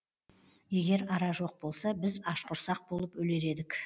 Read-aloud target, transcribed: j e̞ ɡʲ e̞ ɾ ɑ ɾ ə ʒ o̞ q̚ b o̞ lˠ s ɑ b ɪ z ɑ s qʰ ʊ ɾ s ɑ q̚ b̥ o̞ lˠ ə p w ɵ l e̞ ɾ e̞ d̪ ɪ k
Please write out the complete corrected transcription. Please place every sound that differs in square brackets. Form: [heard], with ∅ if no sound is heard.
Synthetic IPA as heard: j e̞ ɡʲ e̞ ɾ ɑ ɾ [ɑ] ʒ o̞ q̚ b o̞ lˠ s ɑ b ɪ z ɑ [ʃ] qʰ ʊ ɾ s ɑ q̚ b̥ o̞ lˠ ə p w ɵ l e̞ ɾ e̞ d̪ ɪ k